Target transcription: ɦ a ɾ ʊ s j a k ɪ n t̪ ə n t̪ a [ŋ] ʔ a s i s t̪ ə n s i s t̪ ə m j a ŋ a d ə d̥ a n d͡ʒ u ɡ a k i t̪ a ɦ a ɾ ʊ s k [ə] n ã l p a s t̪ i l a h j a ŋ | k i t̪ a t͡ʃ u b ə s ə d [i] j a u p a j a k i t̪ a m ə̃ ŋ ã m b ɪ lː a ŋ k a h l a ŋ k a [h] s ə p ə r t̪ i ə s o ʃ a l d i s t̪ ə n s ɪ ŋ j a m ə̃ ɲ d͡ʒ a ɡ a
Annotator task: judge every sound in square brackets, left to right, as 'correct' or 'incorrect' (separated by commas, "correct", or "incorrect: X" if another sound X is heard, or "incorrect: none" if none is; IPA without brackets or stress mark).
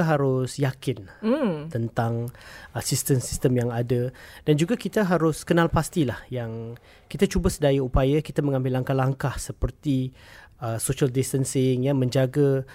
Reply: correct, correct, incorrect: a, correct